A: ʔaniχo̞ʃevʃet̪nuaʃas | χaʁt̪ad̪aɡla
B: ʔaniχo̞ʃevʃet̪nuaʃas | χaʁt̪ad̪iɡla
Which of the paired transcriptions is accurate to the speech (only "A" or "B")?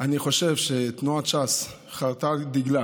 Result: B